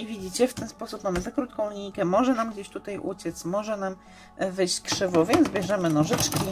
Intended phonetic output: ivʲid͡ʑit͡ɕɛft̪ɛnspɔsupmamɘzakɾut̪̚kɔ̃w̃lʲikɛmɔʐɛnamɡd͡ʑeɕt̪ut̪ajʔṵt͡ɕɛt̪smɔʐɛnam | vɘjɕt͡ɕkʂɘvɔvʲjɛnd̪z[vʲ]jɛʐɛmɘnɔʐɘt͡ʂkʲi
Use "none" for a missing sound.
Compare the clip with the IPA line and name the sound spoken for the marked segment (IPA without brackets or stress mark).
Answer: bʲ